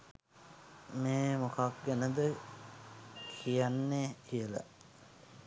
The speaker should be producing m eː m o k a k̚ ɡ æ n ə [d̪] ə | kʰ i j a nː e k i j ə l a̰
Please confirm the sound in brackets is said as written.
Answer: yes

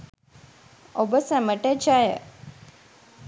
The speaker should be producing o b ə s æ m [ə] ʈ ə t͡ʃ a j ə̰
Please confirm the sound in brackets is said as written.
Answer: yes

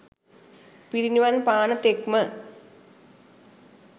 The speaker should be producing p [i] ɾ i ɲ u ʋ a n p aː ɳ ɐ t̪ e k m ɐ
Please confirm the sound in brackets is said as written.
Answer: yes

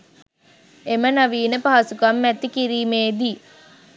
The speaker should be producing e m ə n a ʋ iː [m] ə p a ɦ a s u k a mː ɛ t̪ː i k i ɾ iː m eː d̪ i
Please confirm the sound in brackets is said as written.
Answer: no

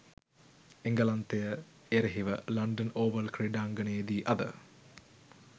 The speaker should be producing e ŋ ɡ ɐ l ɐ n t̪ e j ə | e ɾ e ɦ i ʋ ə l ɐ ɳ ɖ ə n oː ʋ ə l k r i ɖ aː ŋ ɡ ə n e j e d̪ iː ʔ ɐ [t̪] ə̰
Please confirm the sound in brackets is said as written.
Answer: no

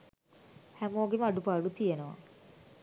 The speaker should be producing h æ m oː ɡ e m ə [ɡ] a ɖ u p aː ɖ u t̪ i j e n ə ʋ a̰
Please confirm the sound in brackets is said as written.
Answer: no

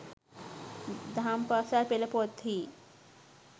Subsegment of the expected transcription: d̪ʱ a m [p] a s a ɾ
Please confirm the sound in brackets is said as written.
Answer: yes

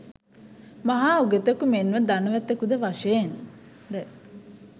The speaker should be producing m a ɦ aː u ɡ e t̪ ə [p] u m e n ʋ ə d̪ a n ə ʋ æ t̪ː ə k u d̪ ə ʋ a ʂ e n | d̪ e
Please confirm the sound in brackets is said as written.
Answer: no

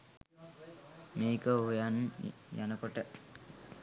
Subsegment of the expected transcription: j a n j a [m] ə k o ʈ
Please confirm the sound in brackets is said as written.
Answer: no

